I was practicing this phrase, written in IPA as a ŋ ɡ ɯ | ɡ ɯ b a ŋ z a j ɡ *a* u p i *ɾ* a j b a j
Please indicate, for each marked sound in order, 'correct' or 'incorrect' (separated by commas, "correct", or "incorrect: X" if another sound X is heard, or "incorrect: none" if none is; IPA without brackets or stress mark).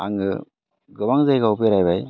correct, correct